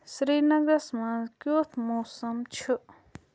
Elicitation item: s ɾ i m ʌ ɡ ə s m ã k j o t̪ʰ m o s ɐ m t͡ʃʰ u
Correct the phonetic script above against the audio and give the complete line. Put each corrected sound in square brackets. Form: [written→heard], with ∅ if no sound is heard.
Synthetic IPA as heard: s ɾ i [m→n] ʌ ɡ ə s m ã k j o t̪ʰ m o s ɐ m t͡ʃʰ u